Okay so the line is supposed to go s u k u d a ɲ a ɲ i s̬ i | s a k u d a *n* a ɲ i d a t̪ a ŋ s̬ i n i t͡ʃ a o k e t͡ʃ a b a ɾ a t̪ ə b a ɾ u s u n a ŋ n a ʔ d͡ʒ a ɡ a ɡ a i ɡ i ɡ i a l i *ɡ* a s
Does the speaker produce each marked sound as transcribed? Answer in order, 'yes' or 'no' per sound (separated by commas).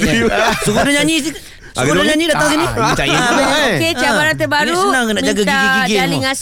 no, no